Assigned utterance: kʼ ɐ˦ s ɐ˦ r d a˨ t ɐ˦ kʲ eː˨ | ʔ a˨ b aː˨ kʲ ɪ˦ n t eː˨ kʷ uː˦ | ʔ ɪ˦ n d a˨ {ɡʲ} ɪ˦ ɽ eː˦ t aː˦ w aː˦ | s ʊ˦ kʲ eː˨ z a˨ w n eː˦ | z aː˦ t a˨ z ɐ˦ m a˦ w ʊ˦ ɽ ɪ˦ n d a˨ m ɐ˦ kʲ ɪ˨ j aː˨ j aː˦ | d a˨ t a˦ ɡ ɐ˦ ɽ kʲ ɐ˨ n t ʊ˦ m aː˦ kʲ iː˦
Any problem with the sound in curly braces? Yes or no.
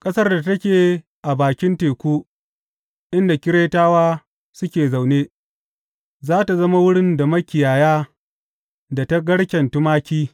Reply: yes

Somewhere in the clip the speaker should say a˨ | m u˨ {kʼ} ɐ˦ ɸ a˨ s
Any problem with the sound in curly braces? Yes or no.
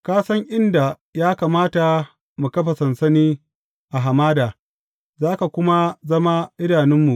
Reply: yes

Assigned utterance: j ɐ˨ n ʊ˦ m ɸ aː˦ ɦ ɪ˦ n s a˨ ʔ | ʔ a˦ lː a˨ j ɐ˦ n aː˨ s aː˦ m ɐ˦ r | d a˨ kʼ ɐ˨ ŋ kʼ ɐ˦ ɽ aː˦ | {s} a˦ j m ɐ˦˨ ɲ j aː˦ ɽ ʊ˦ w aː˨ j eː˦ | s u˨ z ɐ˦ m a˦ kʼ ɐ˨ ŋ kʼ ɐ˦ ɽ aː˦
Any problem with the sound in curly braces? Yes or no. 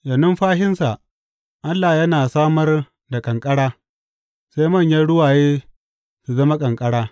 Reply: no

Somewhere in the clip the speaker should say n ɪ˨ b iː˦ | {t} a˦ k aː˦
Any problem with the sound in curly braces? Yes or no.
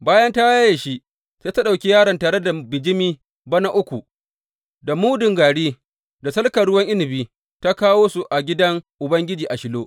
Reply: no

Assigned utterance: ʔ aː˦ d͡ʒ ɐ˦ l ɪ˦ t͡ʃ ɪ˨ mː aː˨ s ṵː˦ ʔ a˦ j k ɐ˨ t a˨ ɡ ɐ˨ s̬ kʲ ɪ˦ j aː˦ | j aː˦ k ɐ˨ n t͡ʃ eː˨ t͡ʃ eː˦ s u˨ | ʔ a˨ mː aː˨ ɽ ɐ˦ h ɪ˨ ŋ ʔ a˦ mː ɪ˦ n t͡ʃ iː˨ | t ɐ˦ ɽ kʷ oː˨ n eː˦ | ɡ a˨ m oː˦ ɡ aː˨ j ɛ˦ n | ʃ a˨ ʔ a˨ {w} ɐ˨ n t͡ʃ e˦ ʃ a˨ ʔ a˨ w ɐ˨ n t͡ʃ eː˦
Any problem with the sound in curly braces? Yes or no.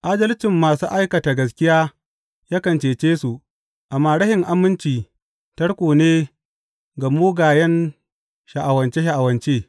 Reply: no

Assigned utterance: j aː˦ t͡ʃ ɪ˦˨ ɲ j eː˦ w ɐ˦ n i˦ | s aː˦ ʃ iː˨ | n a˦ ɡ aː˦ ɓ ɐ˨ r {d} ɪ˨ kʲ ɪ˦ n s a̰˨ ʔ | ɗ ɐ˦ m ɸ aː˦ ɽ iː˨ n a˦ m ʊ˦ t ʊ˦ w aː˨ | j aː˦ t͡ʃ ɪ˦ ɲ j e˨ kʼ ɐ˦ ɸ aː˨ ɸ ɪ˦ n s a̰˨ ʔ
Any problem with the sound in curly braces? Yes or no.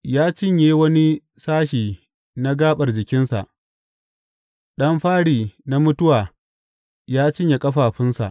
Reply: yes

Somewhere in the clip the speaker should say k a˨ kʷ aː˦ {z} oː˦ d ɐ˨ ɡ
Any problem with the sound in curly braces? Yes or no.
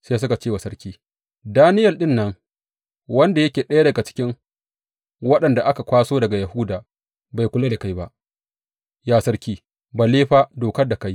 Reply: yes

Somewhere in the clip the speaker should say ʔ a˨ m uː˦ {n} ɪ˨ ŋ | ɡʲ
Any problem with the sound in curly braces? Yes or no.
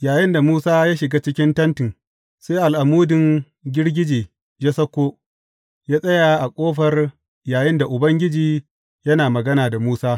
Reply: yes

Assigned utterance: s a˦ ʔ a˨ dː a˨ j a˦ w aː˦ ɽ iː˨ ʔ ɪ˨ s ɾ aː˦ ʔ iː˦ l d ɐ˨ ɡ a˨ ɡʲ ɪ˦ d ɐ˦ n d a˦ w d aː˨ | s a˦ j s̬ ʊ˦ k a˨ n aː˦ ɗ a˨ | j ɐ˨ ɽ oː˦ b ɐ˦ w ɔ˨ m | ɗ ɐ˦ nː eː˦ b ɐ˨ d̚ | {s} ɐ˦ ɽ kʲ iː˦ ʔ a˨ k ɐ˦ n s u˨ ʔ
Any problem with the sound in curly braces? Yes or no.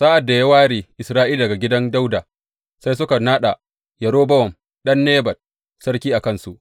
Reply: no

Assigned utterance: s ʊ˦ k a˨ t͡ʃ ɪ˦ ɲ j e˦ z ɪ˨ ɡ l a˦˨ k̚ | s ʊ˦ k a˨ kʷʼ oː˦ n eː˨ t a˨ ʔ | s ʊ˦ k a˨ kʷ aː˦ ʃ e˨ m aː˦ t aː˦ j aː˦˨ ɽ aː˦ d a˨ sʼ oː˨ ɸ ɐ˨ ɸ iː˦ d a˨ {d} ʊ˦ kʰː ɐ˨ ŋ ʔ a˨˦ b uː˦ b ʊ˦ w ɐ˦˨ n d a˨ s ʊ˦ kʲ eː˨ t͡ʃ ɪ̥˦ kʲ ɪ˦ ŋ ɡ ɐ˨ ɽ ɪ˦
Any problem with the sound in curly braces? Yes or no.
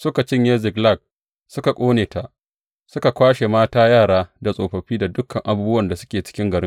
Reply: no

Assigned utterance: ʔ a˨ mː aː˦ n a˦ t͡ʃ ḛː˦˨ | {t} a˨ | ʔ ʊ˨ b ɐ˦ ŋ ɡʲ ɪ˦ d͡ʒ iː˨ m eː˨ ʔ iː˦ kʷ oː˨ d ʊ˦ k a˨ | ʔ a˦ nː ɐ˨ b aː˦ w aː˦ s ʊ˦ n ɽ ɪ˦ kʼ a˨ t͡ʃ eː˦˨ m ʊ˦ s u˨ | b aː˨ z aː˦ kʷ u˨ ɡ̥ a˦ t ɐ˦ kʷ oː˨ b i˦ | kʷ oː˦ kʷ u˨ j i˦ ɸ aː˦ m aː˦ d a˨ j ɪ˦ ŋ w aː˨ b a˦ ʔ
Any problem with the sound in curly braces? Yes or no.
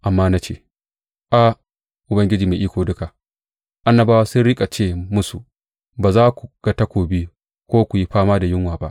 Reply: yes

